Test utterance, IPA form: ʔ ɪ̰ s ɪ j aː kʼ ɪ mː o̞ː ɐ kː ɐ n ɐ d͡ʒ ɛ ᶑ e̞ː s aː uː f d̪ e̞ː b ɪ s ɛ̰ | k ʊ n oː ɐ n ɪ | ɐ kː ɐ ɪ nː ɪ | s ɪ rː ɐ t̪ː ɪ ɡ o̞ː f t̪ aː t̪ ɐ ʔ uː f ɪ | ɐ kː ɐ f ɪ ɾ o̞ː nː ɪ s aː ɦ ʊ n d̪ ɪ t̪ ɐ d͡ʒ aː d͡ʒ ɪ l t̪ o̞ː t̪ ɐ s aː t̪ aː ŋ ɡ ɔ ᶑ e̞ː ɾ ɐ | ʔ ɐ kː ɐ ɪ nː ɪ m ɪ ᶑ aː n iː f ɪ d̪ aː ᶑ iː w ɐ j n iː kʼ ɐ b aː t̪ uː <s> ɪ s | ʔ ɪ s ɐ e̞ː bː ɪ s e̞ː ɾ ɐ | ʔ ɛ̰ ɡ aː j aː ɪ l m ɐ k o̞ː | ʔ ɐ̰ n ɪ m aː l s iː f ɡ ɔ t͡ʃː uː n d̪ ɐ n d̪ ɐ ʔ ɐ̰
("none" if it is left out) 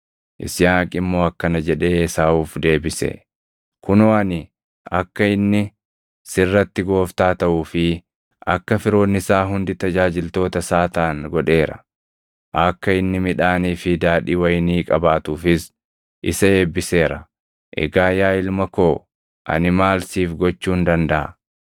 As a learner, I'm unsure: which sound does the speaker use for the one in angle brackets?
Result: f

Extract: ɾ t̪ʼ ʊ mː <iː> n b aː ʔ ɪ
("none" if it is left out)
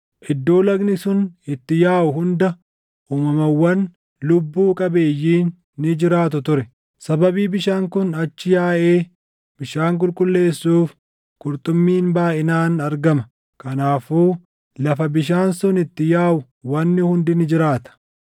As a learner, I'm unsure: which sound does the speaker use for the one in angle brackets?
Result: iː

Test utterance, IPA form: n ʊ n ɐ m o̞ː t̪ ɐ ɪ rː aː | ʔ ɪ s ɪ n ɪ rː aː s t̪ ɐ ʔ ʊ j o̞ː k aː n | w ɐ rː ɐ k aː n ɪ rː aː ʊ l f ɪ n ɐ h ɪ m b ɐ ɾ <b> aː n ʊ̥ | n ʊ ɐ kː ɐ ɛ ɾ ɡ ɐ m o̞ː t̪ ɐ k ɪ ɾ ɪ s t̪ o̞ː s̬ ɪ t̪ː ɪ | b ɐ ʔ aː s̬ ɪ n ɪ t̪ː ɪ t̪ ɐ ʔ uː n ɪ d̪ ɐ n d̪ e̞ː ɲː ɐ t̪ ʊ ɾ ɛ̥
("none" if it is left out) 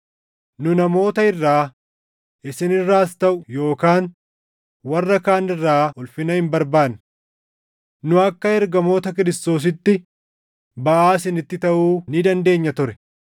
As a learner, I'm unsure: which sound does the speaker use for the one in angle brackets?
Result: b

